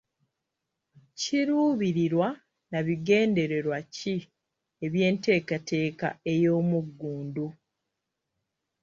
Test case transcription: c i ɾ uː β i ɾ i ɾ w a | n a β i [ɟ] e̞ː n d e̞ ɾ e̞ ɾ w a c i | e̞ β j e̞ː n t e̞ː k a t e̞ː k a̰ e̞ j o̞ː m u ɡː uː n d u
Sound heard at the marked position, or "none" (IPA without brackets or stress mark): ɡ